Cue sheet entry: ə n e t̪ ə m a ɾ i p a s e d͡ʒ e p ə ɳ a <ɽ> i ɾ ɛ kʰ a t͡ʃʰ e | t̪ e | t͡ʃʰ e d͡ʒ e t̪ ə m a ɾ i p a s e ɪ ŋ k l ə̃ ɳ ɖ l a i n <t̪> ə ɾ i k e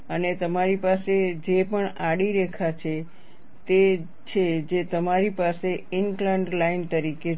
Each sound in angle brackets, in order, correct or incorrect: correct, correct

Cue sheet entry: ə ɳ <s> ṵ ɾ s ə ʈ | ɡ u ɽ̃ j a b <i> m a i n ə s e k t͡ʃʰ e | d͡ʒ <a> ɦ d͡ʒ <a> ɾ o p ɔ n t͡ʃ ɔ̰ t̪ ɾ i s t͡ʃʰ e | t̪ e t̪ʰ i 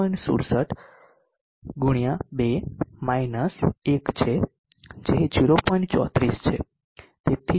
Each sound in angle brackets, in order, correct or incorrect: correct, incorrect: e, incorrect: e, incorrect: i

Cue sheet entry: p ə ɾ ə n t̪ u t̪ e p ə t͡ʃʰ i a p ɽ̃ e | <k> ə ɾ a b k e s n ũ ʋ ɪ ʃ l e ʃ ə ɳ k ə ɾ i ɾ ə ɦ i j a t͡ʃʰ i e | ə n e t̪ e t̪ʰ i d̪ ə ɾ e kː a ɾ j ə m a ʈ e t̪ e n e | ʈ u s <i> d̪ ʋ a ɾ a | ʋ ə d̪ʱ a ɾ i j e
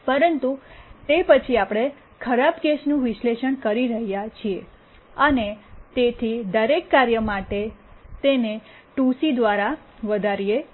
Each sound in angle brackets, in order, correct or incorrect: incorrect: kʰ, correct

